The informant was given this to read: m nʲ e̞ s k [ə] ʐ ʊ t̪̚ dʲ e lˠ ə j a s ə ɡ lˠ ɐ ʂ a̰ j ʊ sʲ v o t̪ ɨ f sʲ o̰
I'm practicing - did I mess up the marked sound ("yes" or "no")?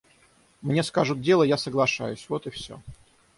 yes